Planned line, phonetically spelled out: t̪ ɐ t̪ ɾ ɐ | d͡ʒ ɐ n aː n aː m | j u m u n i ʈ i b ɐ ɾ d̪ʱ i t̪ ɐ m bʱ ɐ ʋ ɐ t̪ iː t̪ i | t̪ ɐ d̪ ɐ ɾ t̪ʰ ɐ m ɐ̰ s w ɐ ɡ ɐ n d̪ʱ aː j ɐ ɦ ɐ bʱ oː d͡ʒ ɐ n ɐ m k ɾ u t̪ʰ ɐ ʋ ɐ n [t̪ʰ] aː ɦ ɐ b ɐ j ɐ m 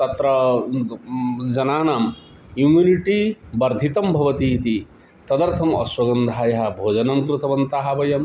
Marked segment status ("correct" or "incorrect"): incorrect